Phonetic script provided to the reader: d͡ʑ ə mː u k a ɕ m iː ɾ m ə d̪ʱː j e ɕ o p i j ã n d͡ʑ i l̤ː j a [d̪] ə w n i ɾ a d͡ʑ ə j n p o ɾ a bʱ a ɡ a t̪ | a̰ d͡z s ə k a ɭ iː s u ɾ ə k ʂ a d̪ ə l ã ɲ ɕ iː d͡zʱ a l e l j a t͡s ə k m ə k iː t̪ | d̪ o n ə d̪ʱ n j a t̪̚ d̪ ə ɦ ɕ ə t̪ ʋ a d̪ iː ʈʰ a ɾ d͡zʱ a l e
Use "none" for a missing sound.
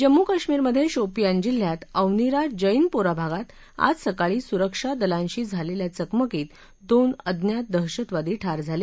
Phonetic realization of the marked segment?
t̪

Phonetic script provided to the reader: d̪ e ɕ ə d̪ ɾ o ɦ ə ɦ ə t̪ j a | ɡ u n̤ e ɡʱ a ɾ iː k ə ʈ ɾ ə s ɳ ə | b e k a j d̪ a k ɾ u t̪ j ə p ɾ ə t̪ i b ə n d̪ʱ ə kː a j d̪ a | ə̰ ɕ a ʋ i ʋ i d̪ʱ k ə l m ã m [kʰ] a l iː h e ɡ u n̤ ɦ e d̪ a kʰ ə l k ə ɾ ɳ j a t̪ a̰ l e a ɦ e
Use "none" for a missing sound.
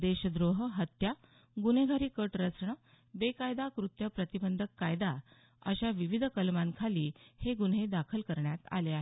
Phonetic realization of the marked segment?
kʰ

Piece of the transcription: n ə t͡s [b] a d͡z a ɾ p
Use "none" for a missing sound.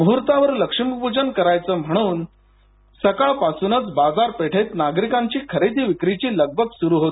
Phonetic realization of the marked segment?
b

